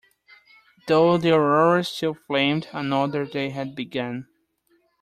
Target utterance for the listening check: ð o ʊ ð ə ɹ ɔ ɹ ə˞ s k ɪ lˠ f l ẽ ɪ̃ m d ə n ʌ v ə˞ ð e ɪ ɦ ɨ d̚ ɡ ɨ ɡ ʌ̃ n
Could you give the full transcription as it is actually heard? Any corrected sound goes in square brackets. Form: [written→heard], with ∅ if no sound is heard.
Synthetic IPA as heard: ð o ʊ ð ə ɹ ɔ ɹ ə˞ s [k→t] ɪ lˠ f l ẽ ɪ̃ m d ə n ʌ [v→ð] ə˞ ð e ɪ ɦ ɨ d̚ [ɡ→b] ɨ ɡ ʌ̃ n